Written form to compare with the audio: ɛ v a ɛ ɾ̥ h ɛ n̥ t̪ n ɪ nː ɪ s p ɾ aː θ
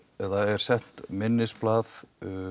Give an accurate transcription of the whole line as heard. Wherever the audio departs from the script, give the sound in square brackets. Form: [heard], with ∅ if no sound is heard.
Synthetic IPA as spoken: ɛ [ð] a ɛ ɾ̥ [s] ɛ n̥ t̪ [m] ɪ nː ɪ s p [l] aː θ